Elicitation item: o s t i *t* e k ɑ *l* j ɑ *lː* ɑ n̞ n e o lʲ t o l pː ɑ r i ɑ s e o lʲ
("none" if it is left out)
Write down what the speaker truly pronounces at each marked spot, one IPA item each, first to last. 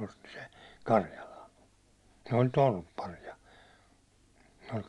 s, r, l

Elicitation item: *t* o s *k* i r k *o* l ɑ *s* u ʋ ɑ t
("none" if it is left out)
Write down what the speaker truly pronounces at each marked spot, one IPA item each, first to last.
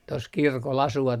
t, k, o, s

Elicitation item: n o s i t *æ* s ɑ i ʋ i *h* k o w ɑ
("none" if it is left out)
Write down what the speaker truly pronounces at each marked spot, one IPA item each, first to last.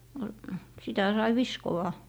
æ, s

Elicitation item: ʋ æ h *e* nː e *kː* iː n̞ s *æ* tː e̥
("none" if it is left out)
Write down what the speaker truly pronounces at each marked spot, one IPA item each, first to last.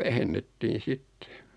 e, tː, i

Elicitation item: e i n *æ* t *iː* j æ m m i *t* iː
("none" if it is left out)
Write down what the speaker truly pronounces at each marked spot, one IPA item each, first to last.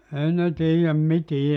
e, iː, t

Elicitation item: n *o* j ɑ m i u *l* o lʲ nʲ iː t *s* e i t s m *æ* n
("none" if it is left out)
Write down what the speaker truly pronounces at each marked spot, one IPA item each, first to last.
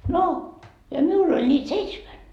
o, l, s, æ

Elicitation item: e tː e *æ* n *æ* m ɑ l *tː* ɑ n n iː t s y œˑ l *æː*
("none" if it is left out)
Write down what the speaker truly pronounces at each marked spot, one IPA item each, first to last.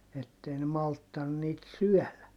i, e, tː, æ

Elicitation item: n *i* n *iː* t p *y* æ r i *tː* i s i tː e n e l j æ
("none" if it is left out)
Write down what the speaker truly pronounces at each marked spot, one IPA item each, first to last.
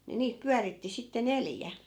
i, iː, y, tː

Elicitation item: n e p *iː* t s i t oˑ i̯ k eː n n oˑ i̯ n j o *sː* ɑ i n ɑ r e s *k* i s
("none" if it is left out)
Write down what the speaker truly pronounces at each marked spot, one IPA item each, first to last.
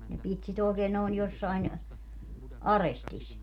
i, sː, t

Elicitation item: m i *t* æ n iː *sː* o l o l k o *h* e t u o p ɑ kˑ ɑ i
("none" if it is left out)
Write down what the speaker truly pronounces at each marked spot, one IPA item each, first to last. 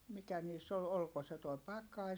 k, sː, s

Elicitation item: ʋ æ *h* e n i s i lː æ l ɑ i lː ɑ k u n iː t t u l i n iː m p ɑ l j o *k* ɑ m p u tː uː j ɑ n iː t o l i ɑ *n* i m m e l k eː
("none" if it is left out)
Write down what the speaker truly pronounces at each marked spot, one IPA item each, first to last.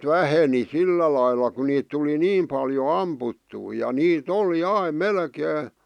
h, none, none

